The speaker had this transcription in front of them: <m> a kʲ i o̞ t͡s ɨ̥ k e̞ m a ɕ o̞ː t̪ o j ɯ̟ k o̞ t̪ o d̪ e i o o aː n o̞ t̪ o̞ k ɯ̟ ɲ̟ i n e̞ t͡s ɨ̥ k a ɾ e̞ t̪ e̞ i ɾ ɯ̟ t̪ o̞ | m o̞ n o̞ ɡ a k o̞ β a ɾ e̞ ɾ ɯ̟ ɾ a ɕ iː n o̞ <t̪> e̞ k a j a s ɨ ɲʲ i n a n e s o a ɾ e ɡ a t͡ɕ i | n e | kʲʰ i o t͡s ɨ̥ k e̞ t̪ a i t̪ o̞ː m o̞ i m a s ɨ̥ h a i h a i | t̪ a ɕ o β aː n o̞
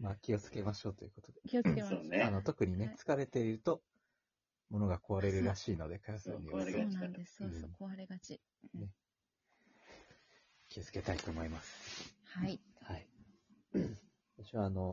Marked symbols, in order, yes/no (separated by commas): yes, no